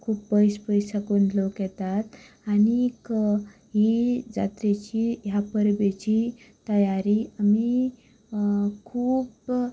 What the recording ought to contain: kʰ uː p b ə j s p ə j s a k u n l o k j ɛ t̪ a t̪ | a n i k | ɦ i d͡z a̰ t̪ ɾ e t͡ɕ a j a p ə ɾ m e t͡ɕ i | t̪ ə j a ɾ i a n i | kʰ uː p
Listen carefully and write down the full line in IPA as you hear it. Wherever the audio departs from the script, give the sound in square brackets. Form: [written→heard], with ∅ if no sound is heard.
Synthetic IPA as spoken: kʰ uː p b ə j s p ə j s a k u n l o k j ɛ t̪ a t̪ | a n i k | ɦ i d͡z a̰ t̪ ɾ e t͡ɕ [a→i] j a p ə ɾ [m→b] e t͡ɕ i | t̪ ə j a ɾ i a [n→m] i | kʰ uː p